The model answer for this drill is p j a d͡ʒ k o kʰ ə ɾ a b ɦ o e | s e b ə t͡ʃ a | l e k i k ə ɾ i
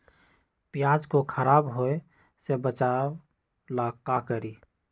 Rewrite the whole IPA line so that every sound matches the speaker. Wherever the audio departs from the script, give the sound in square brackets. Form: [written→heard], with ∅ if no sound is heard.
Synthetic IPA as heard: p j a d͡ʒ k o kʰ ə ɾ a b ɦ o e | s e b ə t͡ʃ a | l [e→a] k [i→a] k ə ɾ i